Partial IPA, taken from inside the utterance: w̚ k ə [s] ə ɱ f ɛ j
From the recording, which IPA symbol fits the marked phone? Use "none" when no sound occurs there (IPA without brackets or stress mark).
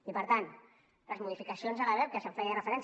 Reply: s